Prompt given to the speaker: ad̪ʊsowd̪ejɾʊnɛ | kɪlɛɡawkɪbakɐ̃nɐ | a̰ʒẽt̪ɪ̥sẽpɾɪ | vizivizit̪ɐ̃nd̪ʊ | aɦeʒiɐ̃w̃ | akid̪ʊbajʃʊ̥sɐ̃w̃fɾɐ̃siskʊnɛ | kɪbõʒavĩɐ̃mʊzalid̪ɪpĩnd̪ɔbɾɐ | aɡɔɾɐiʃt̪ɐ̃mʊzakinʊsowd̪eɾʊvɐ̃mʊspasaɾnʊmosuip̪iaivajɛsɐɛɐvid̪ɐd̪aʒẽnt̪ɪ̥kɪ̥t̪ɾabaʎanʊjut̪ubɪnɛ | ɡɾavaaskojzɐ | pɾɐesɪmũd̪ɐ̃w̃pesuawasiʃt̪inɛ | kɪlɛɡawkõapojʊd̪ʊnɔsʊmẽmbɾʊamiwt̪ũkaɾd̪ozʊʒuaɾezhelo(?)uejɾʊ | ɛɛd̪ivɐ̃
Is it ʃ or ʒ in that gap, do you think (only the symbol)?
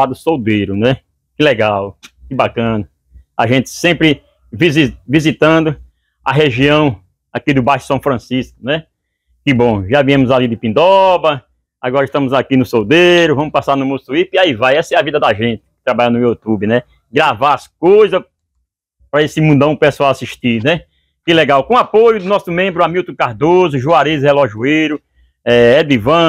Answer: ʒ